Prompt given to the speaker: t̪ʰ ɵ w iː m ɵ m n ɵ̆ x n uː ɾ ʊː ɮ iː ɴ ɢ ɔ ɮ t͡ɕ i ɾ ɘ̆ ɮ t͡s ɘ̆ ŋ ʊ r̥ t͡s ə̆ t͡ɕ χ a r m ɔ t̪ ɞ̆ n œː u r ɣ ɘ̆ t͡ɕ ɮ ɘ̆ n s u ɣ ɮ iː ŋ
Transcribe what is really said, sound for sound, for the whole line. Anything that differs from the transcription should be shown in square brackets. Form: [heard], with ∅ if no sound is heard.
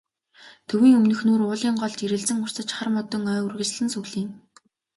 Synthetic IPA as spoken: t̪ʰ ɵ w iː [ŋ] ɵ m n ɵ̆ x n uː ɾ ʊː ɮ iː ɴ ɢ ɔ ɮ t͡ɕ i ɾ ɘ̆ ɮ t͡s ɘ̆ ŋ ʊ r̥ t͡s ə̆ t͡ɕ χ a r m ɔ t̪ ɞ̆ [ŋ] œː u r ɣ ɘ̆ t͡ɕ ɮ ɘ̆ n s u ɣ ɮ iː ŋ